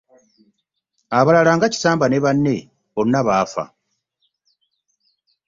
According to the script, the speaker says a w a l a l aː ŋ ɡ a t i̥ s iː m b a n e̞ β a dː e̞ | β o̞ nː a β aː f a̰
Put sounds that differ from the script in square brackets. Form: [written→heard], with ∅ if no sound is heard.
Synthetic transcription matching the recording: a [w→β] a l a l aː ŋ ɡ a [t→c] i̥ s [iː→aː] m b a n e̞ β a [dː→nː] e̞ | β o̞ nː a β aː f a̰